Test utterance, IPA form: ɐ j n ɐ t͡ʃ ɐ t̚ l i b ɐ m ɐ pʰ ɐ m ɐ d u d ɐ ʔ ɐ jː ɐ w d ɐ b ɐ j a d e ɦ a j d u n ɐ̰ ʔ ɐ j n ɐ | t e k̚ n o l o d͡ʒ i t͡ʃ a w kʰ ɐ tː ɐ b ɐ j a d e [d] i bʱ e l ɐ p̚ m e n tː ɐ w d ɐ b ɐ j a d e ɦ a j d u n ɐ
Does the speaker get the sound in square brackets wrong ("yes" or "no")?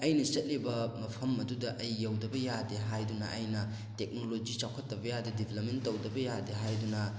no